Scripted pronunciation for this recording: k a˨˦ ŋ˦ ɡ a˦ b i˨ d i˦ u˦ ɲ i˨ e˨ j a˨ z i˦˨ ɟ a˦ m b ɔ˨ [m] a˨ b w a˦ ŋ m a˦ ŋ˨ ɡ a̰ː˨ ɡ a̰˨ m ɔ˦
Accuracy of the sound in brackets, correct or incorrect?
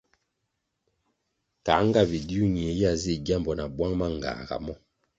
incorrect